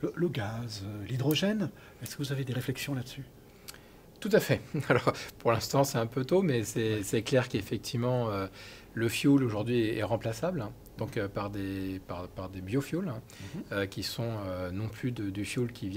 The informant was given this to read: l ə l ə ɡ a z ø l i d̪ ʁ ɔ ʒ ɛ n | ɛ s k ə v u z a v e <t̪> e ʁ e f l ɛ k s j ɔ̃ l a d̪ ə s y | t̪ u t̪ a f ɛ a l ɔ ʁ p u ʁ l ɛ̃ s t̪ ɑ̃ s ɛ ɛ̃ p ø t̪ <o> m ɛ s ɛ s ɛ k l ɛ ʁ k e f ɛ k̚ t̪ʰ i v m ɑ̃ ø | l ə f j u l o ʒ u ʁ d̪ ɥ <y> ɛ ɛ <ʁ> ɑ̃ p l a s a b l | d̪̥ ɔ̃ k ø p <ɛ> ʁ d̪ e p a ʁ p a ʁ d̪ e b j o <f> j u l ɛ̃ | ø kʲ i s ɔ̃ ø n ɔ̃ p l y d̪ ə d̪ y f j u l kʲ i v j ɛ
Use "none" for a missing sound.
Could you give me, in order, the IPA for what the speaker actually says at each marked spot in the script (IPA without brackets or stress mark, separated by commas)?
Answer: d̪, o, i, ʁ, a, f